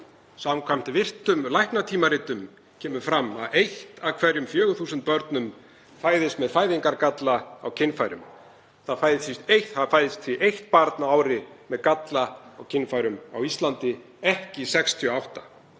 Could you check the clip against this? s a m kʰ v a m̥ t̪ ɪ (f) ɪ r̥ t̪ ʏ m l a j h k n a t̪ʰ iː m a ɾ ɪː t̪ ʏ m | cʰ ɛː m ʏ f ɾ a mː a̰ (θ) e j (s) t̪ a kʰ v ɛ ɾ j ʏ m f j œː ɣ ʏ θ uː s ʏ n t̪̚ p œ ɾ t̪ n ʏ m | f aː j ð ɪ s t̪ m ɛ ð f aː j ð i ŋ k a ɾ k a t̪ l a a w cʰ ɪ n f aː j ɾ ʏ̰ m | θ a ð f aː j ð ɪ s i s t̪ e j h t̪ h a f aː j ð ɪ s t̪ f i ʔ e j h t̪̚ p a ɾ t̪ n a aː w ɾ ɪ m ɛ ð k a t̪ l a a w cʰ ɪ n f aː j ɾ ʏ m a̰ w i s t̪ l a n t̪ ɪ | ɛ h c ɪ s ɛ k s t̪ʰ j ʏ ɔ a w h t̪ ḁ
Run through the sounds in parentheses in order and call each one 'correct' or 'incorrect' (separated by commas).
incorrect, incorrect, incorrect